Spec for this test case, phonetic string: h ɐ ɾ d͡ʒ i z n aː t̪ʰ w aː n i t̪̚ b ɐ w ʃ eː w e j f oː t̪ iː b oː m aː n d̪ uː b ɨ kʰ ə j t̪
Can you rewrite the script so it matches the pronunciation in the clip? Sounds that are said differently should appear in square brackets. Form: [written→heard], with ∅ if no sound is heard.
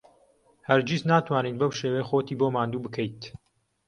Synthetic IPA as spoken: h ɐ ɾ d͡ʒ i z n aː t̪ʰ w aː n i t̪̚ b ɐ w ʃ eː w e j [f→x] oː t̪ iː b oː m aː n d̪ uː b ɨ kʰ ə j t̪